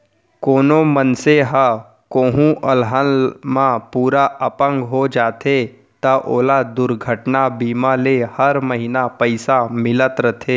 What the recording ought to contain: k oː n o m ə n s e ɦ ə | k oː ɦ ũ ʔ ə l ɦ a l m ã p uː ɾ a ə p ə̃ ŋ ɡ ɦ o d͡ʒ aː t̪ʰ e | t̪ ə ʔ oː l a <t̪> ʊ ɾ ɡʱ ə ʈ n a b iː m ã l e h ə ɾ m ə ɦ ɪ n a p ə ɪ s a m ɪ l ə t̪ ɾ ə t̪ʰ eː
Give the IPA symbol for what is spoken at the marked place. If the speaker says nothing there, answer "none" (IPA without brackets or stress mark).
d̪